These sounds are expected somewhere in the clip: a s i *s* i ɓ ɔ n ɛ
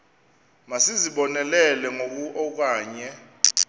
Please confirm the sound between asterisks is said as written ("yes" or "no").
no